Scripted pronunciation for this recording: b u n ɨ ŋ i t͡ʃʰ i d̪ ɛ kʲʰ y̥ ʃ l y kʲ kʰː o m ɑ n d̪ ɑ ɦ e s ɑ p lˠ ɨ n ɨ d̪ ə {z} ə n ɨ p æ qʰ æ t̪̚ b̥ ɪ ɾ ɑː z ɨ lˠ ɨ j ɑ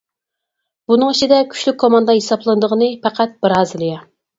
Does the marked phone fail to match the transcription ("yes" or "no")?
yes